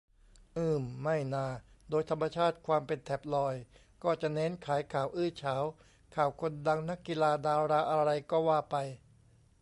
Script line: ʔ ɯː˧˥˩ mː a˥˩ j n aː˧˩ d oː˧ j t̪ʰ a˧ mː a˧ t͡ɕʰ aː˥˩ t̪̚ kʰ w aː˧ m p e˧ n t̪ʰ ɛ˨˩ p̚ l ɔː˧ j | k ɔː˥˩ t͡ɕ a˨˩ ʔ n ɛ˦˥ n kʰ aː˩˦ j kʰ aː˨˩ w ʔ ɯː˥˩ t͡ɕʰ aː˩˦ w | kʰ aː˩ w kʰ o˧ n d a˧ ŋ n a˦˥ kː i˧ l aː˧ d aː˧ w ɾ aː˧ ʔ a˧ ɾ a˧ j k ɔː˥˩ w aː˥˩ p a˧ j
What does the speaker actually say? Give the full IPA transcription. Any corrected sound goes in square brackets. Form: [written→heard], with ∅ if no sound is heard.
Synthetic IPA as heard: ʔ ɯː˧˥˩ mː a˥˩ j n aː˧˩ d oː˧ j t̪ʰ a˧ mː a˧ t͡ɕʰ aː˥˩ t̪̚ kʰ w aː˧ m p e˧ n t̪ʰ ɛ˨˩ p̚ l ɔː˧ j | k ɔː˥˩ t͡ɕ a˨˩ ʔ n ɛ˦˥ n kʰ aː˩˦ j kʰ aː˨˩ w ʔ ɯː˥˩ t͡ɕʰ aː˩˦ w | kʰ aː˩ w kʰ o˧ n d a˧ ŋ n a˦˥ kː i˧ l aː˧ d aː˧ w ɾ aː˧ ʔ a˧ ɾ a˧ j k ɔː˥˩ w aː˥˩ p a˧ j